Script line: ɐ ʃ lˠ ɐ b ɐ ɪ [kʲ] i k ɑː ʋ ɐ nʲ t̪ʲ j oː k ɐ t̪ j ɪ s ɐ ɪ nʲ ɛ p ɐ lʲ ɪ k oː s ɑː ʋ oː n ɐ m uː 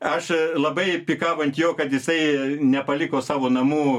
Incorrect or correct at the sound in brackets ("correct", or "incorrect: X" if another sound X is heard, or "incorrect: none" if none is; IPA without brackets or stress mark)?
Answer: incorrect: pʲ